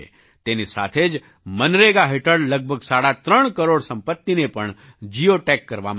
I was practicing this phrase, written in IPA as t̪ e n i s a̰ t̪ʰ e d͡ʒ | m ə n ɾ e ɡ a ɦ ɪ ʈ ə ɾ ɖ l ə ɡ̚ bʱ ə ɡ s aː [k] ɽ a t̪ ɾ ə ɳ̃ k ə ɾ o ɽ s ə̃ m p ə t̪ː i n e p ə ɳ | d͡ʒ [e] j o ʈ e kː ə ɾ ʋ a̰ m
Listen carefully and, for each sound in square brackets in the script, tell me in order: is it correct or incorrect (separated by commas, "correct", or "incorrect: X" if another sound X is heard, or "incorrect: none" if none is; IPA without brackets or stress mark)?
incorrect: none, incorrect: i